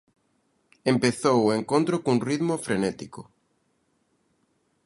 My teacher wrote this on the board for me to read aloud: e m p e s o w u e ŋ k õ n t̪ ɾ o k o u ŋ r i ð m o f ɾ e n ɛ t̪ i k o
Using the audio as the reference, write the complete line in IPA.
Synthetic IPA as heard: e m p e θ o w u e ŋ k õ n t̪ ɾ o k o u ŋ r i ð m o f ɾ e n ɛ t̪ i k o